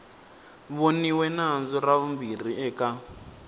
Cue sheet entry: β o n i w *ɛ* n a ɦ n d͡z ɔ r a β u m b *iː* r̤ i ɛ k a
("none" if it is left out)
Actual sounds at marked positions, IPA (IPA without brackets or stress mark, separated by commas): ɛ, i